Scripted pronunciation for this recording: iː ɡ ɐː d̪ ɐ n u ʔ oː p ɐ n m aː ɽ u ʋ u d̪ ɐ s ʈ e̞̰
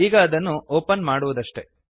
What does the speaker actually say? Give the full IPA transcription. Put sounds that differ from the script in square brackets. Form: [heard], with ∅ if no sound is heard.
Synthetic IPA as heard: iː ɡ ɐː d̪ ɐ [nː] u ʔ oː p ɐ n m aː ɽ u ʋ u d̪ ɐ [ʂ] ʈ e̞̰